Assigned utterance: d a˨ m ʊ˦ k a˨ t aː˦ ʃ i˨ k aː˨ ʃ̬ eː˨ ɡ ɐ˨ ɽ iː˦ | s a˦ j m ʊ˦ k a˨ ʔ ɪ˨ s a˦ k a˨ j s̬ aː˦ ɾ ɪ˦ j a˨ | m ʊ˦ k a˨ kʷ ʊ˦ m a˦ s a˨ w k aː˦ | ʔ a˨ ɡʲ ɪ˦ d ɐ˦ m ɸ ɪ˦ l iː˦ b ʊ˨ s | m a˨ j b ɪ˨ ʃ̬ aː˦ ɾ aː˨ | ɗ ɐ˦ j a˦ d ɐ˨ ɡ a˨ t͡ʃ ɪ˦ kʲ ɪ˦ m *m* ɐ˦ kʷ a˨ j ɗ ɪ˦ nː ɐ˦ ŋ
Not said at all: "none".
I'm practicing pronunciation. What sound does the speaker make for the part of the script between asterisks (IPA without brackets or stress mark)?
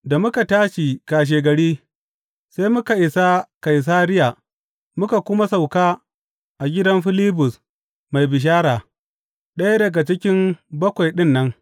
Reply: b